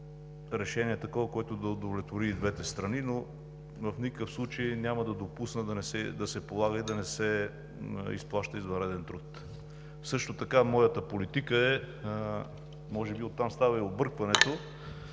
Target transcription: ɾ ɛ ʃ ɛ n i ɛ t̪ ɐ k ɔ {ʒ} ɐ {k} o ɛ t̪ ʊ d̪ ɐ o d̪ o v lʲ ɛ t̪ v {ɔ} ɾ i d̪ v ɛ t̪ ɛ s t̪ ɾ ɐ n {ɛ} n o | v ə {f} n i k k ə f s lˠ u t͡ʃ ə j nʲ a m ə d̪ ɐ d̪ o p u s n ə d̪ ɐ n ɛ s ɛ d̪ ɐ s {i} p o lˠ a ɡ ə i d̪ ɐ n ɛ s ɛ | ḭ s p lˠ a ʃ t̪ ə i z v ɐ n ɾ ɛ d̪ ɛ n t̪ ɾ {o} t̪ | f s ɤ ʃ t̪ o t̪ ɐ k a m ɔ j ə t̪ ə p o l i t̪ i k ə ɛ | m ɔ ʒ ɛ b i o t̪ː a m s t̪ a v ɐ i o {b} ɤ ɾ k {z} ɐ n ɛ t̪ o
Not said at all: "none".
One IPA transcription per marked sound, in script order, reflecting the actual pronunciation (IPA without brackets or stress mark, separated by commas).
v, k, o, i, f, ɛ, u, b, v